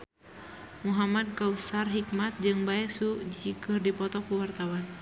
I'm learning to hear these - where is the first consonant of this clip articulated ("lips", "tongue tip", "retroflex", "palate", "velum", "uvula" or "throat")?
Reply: lips